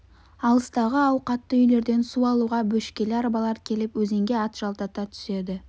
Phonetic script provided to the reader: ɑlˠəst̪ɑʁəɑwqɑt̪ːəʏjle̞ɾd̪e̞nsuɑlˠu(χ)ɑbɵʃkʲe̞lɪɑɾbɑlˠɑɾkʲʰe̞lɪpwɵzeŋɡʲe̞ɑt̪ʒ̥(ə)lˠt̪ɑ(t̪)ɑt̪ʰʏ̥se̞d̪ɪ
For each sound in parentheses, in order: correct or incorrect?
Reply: incorrect: ʁ, incorrect: ɑ, correct

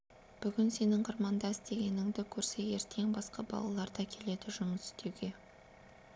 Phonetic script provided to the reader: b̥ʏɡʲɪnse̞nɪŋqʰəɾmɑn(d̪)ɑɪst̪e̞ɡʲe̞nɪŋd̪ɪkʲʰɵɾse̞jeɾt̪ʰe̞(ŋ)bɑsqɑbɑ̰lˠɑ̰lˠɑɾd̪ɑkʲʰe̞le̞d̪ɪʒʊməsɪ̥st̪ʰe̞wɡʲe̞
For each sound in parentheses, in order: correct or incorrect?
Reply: correct, correct

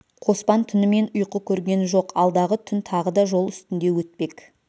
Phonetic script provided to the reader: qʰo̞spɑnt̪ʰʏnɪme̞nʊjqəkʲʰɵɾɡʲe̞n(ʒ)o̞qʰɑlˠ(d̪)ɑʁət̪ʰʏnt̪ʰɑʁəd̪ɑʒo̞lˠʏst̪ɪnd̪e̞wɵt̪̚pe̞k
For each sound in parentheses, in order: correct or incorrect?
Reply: correct, correct

